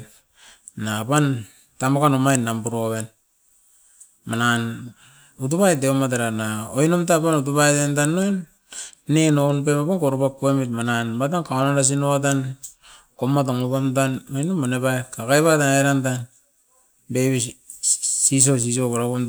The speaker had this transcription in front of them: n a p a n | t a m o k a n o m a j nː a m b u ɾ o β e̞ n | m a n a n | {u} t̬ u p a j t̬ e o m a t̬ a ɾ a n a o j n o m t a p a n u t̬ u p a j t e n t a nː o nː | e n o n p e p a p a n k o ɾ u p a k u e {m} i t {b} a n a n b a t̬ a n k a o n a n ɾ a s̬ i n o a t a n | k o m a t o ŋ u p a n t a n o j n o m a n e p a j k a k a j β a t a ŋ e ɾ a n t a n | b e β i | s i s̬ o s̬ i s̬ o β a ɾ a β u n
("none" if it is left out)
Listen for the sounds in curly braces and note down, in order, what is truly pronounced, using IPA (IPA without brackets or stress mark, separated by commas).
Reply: u, m, m